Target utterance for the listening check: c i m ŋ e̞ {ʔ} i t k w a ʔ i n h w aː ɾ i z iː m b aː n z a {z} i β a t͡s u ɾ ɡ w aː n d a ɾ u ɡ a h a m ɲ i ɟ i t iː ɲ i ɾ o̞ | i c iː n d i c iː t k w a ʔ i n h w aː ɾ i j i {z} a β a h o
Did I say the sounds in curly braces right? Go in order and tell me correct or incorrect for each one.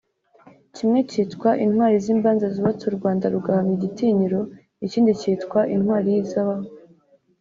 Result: incorrect: c, correct, correct

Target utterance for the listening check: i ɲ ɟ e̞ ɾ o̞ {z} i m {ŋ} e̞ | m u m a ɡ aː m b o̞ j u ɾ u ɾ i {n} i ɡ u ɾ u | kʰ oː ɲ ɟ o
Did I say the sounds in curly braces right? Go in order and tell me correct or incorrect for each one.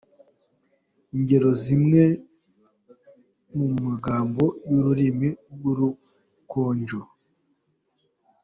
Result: correct, correct, incorrect: m

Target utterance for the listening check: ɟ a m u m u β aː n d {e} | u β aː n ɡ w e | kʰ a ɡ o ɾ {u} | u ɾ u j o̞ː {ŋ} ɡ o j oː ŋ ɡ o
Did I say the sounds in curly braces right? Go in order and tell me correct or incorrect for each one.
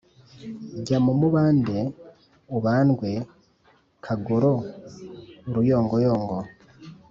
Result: correct, incorrect: o, correct

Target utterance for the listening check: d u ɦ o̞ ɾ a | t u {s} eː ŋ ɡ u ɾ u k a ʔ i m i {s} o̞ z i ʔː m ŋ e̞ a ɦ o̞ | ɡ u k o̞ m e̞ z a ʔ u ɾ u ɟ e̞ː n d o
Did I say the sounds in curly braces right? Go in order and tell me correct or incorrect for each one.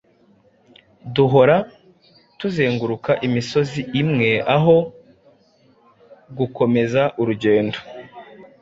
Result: incorrect: z, correct

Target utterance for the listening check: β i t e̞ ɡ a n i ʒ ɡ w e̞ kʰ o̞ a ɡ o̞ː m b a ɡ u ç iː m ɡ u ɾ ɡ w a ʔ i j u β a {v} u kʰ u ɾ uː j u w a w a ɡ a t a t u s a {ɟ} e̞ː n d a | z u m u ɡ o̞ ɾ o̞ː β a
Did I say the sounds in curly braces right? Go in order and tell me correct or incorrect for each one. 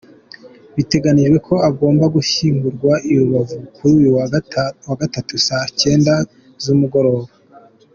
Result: correct, incorrect: c

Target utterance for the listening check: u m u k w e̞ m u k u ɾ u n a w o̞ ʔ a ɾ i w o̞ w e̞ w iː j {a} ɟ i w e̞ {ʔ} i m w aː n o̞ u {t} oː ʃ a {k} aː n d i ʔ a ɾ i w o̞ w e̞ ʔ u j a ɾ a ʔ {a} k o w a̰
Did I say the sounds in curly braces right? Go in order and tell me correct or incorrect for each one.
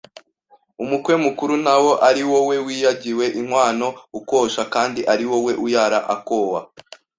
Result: correct, correct, incorrect: k, correct, correct

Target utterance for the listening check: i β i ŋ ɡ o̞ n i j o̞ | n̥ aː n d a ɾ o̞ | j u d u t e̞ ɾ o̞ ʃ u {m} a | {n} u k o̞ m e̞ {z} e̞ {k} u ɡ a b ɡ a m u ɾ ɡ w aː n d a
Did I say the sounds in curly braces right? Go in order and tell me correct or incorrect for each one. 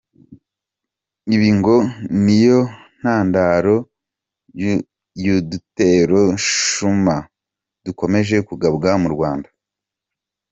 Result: correct, incorrect: d, incorrect: ʒ, correct

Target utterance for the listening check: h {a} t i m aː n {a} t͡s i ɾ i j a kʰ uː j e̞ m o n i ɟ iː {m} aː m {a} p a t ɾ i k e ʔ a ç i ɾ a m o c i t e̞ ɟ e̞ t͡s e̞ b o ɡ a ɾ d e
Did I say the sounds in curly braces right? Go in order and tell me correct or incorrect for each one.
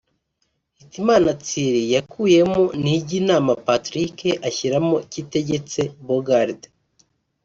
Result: incorrect: i, correct, incorrect: n, correct

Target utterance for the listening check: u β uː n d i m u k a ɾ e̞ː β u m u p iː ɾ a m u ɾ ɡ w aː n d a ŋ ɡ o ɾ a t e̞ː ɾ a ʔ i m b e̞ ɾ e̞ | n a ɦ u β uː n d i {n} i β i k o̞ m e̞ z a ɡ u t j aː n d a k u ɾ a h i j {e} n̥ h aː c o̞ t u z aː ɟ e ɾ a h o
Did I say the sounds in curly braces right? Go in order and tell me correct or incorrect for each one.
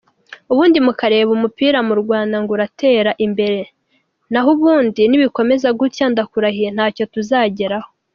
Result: correct, correct

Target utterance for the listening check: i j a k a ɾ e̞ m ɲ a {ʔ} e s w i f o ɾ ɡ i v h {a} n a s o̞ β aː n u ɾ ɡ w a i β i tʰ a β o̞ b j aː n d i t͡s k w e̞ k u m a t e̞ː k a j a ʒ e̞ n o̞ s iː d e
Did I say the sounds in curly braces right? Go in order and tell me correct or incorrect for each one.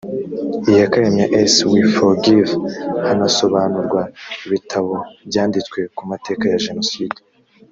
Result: correct, correct

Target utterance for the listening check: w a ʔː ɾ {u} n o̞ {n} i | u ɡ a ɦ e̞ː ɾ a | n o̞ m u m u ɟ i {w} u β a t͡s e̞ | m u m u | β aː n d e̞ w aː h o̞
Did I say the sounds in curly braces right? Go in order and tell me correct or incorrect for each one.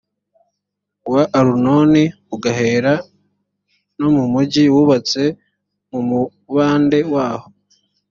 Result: correct, correct, correct

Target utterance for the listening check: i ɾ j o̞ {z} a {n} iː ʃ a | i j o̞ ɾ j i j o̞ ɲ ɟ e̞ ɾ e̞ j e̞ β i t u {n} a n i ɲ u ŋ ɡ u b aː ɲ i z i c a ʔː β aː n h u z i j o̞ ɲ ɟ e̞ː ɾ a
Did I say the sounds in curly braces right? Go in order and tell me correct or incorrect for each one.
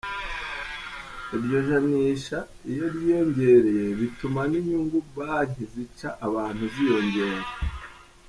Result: incorrect: ʒ, correct, incorrect: m

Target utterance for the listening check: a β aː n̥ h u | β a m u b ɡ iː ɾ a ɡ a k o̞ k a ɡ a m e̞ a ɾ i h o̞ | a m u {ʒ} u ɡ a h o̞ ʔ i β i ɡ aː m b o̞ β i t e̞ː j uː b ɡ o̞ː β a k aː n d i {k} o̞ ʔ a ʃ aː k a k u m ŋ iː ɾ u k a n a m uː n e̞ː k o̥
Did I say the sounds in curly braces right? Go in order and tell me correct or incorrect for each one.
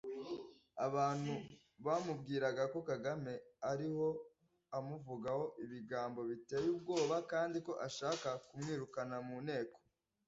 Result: incorrect: v, correct

